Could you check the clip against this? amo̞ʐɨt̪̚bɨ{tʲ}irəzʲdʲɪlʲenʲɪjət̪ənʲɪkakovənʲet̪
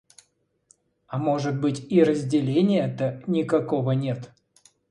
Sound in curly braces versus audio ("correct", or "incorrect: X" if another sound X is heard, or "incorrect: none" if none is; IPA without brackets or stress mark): correct